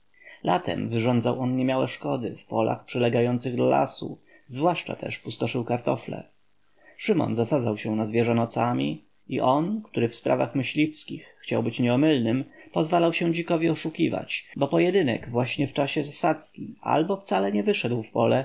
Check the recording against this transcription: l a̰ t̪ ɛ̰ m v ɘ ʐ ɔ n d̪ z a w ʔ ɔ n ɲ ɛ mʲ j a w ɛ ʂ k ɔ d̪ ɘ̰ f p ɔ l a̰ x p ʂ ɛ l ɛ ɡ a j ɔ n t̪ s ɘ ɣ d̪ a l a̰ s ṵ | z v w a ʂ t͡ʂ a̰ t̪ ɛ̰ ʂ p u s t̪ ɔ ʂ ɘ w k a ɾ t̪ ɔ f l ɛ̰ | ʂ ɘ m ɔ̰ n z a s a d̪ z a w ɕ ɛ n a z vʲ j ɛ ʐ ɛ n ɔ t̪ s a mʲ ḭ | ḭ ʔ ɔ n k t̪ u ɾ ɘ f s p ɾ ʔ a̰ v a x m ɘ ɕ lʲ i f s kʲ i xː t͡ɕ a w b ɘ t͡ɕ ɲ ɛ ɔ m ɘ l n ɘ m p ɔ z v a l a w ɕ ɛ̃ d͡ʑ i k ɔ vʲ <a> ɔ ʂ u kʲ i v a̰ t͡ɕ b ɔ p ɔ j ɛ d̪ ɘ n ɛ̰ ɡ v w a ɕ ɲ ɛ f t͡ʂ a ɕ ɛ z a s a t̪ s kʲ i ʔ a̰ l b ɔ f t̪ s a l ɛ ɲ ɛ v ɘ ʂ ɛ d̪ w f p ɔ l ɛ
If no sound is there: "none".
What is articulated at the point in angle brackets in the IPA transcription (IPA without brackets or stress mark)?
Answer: i